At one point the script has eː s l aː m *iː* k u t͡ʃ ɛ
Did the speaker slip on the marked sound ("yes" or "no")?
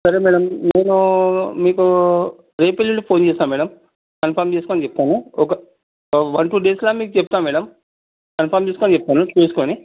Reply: no